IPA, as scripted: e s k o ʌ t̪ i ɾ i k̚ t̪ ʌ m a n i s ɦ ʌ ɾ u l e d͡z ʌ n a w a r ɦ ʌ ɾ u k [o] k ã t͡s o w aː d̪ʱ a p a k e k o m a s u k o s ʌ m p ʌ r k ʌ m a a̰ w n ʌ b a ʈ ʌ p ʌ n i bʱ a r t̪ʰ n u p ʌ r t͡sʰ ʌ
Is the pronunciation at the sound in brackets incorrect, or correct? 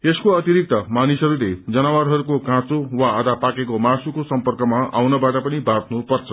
correct